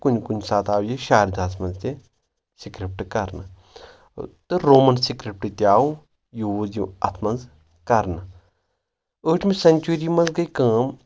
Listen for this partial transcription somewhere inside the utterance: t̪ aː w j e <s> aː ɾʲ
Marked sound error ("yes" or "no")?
yes